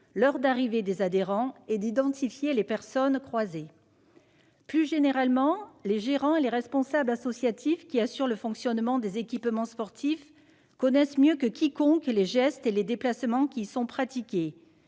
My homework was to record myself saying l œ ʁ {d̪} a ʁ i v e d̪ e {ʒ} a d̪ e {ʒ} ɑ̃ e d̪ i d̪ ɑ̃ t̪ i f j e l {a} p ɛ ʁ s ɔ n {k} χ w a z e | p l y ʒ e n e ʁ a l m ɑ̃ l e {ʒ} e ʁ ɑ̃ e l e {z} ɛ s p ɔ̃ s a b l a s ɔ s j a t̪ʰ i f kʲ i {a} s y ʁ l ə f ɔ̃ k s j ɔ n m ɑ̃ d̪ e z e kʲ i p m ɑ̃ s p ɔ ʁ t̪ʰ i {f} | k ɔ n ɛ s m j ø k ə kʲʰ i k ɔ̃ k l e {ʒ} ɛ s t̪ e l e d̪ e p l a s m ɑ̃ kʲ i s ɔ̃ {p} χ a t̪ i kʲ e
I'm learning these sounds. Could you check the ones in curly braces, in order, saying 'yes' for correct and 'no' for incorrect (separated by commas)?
yes, no, no, no, yes, yes, no, yes, yes, yes, yes